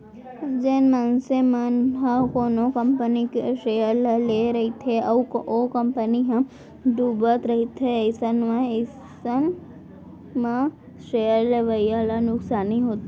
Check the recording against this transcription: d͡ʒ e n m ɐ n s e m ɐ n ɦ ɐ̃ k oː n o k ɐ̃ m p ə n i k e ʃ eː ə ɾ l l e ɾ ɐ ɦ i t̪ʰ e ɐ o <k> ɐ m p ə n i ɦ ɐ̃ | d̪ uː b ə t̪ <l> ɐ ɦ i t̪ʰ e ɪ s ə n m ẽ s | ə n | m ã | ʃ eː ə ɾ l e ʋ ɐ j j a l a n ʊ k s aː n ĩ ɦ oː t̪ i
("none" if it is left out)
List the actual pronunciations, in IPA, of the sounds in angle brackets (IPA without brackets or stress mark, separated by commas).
k, ɾ